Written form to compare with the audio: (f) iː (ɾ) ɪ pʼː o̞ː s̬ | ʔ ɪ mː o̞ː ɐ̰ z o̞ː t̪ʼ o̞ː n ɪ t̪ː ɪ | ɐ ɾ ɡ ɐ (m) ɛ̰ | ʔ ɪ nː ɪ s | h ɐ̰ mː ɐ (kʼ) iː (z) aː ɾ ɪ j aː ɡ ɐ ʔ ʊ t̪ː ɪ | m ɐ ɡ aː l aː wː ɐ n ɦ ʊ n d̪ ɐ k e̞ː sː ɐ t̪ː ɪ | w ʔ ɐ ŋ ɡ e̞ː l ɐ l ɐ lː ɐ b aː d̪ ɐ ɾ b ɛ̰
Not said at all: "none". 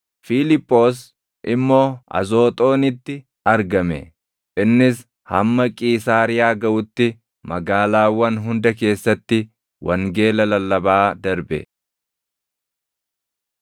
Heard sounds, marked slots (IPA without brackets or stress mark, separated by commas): f, l, m, kʼ, s